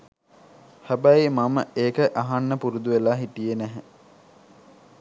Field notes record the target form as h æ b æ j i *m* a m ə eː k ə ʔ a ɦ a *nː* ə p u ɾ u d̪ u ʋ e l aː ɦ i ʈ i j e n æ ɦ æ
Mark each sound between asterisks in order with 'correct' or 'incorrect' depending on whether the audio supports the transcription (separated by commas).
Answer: correct, correct